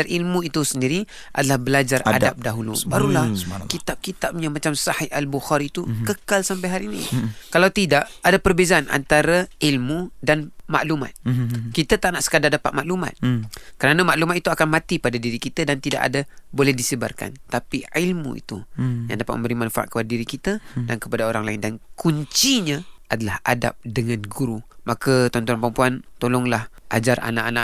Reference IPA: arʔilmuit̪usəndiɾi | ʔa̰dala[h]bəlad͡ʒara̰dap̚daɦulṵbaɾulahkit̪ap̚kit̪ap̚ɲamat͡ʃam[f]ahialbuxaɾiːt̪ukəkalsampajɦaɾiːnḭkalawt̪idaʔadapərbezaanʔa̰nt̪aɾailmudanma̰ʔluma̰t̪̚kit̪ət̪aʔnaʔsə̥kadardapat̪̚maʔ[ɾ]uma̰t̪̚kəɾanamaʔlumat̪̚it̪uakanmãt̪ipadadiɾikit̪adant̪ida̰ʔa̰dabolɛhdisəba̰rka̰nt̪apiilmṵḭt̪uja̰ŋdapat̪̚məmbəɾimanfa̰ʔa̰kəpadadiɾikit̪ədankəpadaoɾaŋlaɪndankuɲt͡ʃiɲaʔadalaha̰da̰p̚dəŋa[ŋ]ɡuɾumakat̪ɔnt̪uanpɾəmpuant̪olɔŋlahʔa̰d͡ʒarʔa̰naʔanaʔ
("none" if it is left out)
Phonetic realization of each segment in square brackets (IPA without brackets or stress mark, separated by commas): h, s, l, n